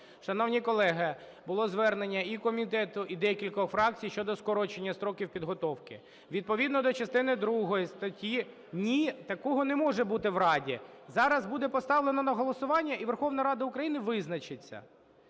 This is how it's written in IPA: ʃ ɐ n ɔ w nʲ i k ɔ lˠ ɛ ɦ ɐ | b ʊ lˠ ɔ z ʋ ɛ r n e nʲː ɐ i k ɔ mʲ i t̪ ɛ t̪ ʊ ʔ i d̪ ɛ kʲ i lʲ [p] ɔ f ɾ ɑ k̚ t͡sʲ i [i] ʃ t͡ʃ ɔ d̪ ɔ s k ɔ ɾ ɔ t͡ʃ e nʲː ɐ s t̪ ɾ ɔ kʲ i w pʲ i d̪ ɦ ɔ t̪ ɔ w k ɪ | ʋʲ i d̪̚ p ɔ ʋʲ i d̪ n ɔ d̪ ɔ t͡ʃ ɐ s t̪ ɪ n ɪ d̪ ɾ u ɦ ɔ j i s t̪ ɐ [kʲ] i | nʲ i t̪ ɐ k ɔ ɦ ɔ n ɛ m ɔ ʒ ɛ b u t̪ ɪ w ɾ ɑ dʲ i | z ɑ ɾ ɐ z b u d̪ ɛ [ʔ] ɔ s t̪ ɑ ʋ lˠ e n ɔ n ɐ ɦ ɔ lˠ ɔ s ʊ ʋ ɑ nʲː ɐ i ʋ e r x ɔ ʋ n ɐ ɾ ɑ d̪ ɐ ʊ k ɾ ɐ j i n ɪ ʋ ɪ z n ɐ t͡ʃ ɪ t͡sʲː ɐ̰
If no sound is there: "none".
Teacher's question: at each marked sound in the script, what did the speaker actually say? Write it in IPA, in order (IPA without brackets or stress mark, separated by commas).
k, j, tʲ, p